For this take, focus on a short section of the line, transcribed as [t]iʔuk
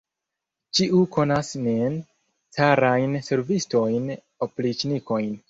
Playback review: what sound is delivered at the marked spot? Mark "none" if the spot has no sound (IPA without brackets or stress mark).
t͡ʃ